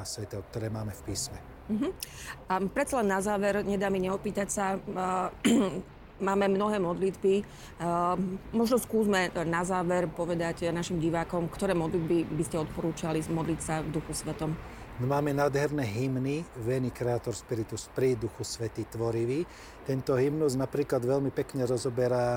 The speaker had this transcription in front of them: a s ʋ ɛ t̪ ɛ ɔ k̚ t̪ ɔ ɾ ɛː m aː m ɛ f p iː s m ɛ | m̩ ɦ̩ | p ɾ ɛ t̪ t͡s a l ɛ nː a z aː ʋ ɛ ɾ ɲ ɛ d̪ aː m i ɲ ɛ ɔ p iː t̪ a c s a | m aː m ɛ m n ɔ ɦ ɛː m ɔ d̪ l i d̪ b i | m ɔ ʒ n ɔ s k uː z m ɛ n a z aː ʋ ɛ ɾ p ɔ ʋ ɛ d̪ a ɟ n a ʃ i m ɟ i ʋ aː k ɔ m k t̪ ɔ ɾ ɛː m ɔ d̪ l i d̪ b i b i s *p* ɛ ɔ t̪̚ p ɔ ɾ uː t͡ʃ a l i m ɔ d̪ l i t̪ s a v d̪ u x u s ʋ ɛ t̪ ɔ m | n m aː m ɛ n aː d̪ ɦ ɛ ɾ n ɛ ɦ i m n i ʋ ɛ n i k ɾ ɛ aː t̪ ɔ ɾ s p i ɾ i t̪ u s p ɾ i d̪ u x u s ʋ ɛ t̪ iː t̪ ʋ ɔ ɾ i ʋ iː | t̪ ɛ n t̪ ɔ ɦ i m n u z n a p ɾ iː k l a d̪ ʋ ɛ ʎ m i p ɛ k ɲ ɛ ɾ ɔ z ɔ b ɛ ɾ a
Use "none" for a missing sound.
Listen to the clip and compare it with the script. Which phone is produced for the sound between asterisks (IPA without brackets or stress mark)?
c